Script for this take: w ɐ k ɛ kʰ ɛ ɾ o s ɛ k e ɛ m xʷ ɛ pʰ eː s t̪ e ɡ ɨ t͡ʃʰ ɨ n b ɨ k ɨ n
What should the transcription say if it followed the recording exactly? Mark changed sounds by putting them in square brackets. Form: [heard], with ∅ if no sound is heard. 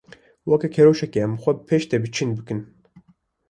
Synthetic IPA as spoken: w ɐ k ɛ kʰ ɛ ɾ o [ʃ] ɛ k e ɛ m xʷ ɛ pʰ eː [ʃ] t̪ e [b] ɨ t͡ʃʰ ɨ n b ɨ k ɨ n